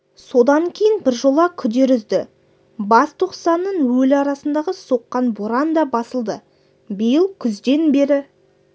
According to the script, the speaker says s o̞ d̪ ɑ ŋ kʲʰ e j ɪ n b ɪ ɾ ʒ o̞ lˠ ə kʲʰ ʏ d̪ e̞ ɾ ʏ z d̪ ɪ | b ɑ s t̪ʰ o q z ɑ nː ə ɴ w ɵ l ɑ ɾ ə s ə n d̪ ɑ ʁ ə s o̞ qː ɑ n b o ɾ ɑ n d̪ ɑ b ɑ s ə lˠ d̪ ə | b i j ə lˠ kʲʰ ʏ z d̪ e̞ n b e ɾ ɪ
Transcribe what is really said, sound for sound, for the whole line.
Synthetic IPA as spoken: s o̞ d̪ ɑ ŋ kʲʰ e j ɪ n b ɪ ɾ ʒ o̞ lˠ ɑ kʲʰ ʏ d̪ e̞ ɾ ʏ z d̪ ɪ | b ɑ s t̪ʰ o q s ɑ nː ə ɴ w ɵ l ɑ ɾ ɑ s ə n d̪ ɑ ʁ ə s o̞ qː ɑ n b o ɾ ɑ n d̪ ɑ b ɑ s ə lˠ d̪ ə | b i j ə lˠ kʲʰ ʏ z d̪ e̞ n b e ɾ ɪ